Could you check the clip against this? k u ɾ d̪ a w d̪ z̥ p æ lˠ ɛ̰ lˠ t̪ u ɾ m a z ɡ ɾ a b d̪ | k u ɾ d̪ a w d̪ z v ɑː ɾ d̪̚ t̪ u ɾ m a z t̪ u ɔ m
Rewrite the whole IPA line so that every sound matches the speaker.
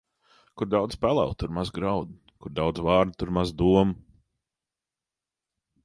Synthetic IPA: k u ɾ d̪ a w d̪ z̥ p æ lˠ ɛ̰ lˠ t̪ u ɾ m a z ɡ ɾ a w d̪ | k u ɾ d̪ a w d̪ z v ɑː ɾ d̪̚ t̪ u ɾ m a z d̪ u ɔ m

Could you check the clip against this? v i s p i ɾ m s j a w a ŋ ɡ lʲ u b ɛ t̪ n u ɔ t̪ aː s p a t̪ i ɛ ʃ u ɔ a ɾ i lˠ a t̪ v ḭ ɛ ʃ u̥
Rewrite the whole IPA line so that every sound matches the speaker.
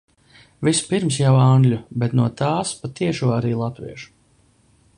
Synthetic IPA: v i s p i ɾ m s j a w a ŋ ɡ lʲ u b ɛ t̪ n u ɔ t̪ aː s p a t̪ i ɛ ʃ u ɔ a ɾ iː lˠ a t̪ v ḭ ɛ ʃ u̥

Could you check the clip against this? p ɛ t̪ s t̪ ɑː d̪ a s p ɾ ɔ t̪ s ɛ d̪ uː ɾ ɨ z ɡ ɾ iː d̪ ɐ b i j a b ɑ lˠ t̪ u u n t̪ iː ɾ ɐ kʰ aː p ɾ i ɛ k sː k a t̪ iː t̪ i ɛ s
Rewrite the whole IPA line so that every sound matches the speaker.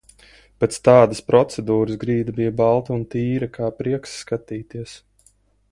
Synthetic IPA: p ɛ t̪ s t̪ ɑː d̪ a s p ɾ ɔ t̪ s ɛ d̪ uː ɾ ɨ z ɡ ɾ iː d̪ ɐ b i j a b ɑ lˠ t̪ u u n t̪ iː ɾ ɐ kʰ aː p ɾ i ɛ k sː k a t̪ iː t̪ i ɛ s

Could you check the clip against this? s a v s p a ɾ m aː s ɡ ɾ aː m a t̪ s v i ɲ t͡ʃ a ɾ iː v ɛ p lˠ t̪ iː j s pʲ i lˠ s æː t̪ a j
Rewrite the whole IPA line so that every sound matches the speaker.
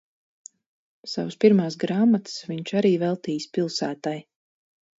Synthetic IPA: s a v s p i ɾ m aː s ɡ ɾ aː m a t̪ s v i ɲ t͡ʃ a ɾ iː v ɛ lˠ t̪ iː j s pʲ i lˠ s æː t̪ a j

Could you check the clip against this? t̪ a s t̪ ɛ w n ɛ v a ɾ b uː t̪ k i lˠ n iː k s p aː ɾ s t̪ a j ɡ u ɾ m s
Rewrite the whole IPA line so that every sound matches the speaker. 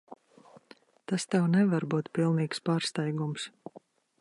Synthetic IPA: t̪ a s t̪ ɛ w n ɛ v a ɾ b uː t̪ p i lˠ n iː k s p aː ɾ s t̪ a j ɡ u m s

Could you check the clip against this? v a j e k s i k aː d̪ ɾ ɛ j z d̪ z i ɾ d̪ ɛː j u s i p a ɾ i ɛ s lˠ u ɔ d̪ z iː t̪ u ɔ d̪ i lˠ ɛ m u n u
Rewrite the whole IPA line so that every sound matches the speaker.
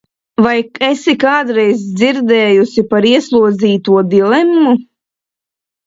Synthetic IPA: v a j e s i k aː d̪ ɾ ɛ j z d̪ z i ɾ d̪ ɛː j u s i p a ɾ i ɛ s lˠ u ɔ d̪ z iː t̪ u ɔ d̪ i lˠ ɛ m u m u

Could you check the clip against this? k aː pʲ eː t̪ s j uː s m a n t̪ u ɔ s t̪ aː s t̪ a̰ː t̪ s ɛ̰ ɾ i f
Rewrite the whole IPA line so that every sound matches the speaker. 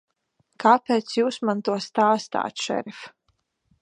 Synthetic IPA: k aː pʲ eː t̪ s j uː s m a n t̪ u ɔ s t̪ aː s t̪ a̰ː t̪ ʃ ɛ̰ ɾ i f

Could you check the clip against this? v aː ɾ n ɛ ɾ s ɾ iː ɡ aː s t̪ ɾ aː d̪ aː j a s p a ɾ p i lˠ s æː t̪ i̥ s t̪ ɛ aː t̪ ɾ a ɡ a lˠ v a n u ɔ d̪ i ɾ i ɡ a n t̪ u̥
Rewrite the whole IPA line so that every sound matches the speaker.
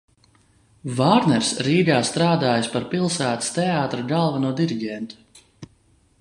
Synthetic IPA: v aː ɾ n ɛ ɾ s ɾ iː ɡ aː s t̪ ɾ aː d̪ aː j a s p a ɾ p i lˠ s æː t̪ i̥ s t̪ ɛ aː t̪ ɾ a ɡ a lˠ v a n u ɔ d̪ i ɾ i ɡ ɛ n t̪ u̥

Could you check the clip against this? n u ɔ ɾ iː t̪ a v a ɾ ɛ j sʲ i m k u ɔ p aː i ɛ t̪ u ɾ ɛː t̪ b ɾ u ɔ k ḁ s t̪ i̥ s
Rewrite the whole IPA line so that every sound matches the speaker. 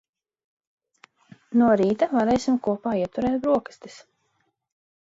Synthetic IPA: n u ɔ ɾ iː t̪ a v a ɾ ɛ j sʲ i m k u ɔ p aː i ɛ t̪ u ɾ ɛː t̪ b ɾ u ɔ k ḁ s t̪ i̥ s

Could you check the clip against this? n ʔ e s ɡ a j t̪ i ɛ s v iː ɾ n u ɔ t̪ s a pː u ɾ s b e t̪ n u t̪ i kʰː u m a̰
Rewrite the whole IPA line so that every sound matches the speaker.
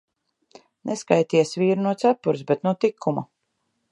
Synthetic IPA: n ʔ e s k a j t̪ i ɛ s v iː ɾ n u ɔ t̪ s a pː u ɾ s b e t̪ n u t̪ i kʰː u m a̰

